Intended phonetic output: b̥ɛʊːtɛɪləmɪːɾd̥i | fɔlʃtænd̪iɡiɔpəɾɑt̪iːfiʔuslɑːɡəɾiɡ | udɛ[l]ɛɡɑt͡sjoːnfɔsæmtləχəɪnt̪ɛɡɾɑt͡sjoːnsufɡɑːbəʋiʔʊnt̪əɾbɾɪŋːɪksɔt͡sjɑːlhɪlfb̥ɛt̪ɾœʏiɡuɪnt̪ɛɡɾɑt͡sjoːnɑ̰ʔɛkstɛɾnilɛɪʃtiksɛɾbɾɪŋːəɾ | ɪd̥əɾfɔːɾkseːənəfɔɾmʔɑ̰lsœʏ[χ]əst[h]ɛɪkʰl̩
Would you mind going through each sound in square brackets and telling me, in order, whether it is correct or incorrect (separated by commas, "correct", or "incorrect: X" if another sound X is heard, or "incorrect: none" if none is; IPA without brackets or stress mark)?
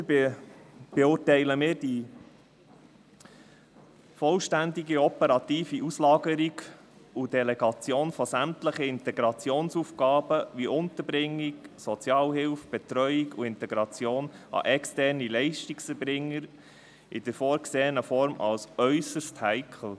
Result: correct, incorrect: s, correct